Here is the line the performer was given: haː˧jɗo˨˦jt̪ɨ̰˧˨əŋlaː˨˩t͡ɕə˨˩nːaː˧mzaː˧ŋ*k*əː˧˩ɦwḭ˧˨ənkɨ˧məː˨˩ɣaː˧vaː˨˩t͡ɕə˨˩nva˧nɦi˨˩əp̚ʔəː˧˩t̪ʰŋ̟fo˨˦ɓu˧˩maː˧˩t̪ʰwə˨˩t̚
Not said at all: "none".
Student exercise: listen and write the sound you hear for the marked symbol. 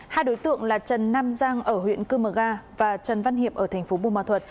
ʔ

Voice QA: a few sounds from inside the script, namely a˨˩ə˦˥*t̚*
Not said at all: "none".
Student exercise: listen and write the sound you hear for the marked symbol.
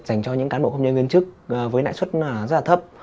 p̚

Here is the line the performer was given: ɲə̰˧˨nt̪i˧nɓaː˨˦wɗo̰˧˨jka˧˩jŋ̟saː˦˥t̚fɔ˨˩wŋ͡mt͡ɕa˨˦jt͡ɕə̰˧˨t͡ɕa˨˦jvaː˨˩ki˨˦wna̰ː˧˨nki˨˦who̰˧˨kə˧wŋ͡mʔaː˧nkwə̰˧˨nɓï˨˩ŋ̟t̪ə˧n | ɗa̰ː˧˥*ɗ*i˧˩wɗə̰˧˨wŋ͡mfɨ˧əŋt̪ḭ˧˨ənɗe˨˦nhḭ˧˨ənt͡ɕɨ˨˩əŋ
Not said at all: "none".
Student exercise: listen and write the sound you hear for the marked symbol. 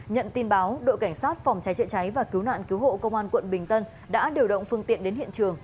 ɗ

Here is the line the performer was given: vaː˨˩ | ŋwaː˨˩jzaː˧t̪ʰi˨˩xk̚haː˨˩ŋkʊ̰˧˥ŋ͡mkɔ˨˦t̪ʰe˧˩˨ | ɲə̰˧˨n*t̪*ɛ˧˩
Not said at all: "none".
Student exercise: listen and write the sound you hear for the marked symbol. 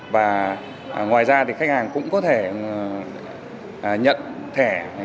t̪ʰ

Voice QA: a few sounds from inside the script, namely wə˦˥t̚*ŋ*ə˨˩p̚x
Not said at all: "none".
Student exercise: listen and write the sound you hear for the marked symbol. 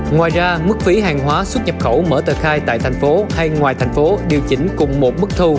ɲ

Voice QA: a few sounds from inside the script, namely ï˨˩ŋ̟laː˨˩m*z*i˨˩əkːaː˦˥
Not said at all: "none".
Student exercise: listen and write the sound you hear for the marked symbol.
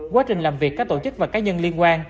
v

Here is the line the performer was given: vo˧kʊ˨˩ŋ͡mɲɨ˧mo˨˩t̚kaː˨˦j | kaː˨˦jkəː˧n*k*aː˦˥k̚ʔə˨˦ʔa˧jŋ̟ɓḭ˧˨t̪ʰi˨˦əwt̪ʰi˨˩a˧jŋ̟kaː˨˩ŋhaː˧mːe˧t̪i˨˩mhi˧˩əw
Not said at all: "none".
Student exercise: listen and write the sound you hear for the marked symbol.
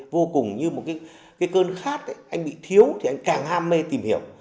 x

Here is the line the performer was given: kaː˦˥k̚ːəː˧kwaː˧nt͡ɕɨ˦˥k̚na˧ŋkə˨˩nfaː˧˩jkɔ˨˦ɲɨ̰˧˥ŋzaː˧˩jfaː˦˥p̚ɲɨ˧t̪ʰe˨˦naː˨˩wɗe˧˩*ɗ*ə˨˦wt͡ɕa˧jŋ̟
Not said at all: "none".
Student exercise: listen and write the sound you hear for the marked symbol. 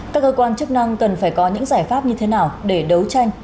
ɗ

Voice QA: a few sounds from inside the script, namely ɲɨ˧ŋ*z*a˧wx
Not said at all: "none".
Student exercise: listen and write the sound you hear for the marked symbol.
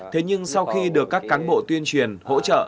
s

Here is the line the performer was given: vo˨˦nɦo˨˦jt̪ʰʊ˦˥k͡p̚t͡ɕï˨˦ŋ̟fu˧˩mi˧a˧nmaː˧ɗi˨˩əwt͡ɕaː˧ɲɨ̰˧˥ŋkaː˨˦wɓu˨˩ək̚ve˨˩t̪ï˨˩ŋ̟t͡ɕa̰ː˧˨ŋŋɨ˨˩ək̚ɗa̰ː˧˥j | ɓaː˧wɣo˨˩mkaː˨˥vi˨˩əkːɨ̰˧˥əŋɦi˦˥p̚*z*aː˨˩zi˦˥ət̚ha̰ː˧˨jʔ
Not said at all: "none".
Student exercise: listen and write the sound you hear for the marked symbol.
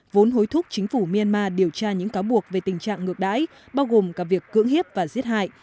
v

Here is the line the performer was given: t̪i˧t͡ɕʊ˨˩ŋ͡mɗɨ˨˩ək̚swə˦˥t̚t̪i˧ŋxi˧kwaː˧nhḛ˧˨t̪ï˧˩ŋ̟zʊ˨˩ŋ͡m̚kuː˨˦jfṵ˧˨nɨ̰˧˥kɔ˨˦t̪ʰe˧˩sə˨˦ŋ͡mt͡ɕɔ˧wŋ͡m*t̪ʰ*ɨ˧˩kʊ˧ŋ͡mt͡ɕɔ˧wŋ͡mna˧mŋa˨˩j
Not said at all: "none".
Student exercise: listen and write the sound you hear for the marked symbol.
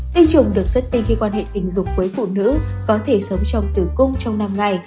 t̪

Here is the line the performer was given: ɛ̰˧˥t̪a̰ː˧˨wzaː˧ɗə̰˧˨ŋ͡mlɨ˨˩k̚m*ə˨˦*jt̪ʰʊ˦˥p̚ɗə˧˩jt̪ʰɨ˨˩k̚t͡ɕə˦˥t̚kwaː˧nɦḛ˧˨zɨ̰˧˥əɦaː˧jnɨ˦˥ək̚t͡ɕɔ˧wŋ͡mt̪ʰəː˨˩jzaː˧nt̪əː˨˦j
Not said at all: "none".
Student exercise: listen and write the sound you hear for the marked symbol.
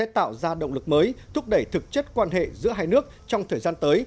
əː˨˦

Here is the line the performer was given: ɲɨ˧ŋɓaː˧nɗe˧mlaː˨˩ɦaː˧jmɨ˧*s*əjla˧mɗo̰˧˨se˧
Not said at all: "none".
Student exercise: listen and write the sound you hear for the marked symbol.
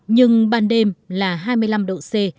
none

